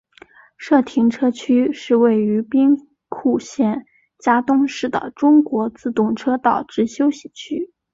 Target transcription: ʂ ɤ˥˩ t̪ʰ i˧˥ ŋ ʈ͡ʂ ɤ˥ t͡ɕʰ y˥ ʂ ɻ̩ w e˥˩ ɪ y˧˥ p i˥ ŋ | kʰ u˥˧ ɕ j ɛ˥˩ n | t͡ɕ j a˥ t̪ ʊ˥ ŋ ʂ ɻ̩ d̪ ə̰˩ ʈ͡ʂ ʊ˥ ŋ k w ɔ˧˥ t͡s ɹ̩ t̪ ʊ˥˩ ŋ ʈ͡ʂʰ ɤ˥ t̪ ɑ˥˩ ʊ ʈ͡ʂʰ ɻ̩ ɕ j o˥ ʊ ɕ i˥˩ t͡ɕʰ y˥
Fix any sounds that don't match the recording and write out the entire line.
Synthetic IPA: ʂ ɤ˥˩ t̪ʰ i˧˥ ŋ ʈ͡ʂʰ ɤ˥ t͡ɕʰ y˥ ʂ ɻ̩ w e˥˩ ɪ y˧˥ p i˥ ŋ | kʰ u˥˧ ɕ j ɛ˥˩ n | t͡ɕ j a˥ t̪ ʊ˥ ŋ ʂ ɻ̩ d̪ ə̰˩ ʈ͡ʂ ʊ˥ ŋ k w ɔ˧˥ t͡s ɹ̩ t̪ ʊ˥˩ ŋ ʈ͡ʂʰ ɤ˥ t̪ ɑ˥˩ ʊ ʈ͡ʂ ɻ̩ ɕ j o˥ ʊ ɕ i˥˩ t͡ɕʰ y˥